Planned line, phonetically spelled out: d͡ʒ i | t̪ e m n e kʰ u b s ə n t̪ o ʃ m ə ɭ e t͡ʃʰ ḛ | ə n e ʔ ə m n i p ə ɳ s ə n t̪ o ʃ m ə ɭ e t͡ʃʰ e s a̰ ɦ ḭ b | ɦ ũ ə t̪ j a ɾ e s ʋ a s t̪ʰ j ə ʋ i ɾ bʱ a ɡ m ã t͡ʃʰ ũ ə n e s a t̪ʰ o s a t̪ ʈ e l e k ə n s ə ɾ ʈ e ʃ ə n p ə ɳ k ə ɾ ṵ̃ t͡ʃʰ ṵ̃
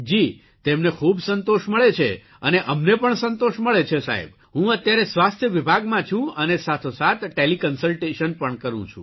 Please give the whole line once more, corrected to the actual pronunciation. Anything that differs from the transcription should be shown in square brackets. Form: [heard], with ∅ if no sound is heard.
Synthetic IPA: d͡ʒ i | t̪ e m n e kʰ u b s ə n t̪ o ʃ m ə ɭ e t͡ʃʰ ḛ | ə n e ʔ ə m n [e] p ə ɳ s ə n t̪ o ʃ m ə ɭ e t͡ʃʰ e s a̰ ɦ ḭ b | ɦ ũ ə t̪ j a ɾ e s ʋ a s t̪ʰ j ə ʋ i [∅] bʱ a ɡ m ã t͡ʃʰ ũ ə n e s a t̪ʰ o s a t̪ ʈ e l [i] k ə n s ə [l] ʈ e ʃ ə n p ə ɳ k ə ɾ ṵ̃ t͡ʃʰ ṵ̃